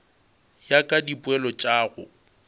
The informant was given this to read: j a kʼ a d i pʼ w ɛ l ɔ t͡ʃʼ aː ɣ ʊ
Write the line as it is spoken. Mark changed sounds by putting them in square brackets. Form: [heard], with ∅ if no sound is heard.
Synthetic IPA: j a kʼ a d i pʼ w ɛ l ɔ t͡ʃʼ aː ɣ ʊ